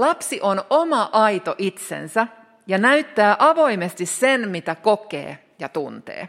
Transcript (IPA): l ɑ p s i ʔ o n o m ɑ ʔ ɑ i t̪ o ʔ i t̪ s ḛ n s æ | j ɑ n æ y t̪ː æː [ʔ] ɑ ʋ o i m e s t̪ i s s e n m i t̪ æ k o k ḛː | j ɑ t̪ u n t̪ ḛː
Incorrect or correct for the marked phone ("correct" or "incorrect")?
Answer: correct